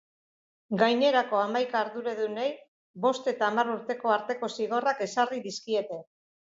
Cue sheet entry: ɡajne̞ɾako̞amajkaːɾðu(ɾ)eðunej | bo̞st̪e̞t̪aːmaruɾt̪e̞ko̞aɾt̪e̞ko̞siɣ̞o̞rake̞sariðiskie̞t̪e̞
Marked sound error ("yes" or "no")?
no